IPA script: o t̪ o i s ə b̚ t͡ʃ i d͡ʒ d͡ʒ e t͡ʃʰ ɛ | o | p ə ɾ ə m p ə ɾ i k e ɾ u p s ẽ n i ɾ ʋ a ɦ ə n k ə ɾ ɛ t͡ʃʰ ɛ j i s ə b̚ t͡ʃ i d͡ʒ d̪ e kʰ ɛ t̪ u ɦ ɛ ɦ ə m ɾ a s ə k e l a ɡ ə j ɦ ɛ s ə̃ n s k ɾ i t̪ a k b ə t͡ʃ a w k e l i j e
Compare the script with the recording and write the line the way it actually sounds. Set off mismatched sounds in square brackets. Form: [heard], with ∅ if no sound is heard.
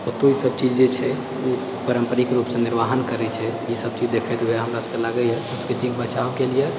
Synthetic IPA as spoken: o t̪ o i s ə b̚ t͡ʃ i d͡ʒ d͡ʒ e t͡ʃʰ ɛ | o | p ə ɾ ə m p ə ɾ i k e ɾ u p s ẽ n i ɾ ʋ a ɦ ə n k ə ɾ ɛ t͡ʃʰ ɛ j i s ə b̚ t͡ʃ i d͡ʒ d̪ e kʰ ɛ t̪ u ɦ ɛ ɦ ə m ɾ a s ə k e l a ɡ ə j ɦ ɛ s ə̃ n s k ɾ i t̪ [i] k b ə t͡ʃ a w k e l i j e